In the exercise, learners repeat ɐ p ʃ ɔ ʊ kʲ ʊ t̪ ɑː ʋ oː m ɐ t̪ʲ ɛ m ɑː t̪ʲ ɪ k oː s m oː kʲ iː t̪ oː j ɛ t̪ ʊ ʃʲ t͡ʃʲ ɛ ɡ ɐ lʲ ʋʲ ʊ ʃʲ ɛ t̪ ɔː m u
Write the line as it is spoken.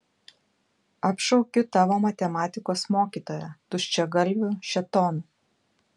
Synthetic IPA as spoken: ɐ p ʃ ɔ ʊ kʲ ʊ t̪ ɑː ʋ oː m ɐ t̪ʲ ɛ m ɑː t̪ʲ ɪ k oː s m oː kʲ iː t̪ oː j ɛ t̪ ʊ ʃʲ t͡ʃʲ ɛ ɡ ɐ lʲ ʋʲ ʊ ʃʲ ɛ t̪ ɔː n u